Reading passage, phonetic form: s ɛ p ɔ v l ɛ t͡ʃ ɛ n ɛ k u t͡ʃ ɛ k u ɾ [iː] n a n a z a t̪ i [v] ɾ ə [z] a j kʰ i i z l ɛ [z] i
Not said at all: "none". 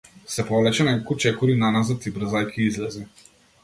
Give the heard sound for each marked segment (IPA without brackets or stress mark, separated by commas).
i, b, z, z